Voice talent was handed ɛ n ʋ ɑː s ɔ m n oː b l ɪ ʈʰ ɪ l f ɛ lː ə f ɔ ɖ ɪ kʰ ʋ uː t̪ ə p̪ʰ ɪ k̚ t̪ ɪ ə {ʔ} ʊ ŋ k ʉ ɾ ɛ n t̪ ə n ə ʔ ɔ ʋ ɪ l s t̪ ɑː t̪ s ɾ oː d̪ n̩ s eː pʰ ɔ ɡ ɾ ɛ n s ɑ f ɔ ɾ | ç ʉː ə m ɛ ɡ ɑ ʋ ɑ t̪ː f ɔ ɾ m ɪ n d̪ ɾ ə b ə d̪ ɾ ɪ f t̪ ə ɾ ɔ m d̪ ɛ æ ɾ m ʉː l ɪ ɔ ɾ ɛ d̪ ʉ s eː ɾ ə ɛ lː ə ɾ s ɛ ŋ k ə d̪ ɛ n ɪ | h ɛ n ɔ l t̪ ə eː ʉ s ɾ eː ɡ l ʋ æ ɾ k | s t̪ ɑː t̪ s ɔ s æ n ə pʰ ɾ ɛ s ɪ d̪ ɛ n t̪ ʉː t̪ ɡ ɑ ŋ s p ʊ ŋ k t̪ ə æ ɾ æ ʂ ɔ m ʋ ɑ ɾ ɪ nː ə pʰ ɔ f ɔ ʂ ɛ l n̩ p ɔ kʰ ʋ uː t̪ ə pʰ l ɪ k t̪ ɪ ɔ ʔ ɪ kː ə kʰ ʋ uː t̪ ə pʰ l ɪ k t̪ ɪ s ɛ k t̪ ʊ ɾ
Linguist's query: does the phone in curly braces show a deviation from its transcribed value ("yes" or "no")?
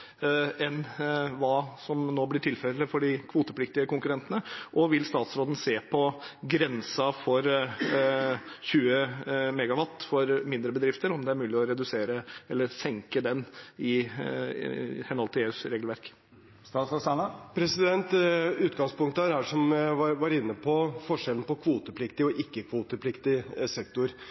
yes